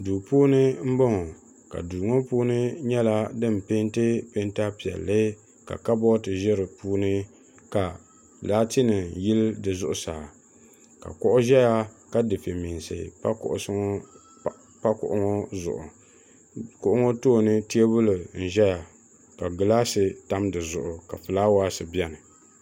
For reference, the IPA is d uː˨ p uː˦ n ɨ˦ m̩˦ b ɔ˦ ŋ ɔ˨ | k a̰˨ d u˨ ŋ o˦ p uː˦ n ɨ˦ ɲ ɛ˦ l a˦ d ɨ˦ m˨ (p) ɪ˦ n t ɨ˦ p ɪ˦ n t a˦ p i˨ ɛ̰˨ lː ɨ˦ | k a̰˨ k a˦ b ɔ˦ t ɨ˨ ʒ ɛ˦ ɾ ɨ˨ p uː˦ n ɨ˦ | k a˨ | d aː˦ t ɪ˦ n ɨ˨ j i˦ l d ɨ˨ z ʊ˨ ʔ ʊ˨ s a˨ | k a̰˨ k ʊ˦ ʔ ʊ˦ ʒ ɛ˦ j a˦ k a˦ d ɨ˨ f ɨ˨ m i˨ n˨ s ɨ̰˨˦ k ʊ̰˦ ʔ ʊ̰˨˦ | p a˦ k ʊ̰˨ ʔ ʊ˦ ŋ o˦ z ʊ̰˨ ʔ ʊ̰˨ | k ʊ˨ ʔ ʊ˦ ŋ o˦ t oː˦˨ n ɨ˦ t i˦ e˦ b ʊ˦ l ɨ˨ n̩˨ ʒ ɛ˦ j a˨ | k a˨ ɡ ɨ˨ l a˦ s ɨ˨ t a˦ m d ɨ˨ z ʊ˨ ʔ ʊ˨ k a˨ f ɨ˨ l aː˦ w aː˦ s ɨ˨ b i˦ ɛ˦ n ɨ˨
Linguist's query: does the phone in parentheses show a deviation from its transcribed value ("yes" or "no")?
no